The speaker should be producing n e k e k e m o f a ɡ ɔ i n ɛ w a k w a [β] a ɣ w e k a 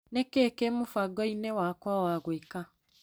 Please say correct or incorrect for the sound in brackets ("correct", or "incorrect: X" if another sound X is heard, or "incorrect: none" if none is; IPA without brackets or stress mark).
incorrect: w